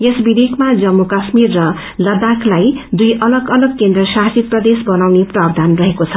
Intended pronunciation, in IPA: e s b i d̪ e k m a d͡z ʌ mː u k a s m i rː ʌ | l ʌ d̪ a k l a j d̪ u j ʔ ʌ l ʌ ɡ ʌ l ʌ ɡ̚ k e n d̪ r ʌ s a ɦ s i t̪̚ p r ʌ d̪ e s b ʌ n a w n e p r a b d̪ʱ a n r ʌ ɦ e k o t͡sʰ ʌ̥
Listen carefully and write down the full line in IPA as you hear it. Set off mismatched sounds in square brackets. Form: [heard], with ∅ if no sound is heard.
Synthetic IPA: e s b i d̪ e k m a d͡z ʌ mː u k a s m i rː ʌ | l ʌ d̪ a k l a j d̪ u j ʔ ʌ l ʌ ɡ ʌ l ʌ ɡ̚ k e n d̪ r ʌ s a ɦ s i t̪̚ p r ʌ d̪ e s b ʌ n a w n e p r a b d̪ʱ a n r ʌ ɦ e k o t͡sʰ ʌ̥